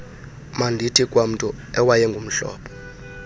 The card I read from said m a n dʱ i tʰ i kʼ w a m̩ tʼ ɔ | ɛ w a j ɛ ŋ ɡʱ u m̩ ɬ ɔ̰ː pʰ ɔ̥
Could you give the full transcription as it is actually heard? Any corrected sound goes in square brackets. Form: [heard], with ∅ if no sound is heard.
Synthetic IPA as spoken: m a n dʱ i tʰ i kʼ w a m̩ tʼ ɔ | ɛ w a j ɛ ŋ ɡʱ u m̩ ɬ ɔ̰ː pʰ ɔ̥